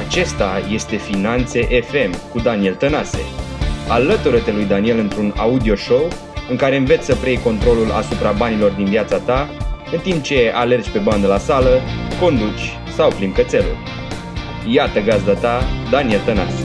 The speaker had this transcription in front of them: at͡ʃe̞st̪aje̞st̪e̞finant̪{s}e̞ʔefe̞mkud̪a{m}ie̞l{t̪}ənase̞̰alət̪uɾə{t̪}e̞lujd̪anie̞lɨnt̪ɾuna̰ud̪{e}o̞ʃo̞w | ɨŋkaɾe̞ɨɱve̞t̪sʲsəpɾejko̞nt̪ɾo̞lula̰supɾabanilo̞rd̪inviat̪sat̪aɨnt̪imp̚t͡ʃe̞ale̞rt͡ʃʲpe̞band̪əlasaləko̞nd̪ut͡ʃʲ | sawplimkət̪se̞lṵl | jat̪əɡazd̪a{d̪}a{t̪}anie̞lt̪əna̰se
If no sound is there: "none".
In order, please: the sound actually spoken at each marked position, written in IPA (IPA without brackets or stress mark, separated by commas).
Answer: s, n, t̪, t̪, i, t̪, d̪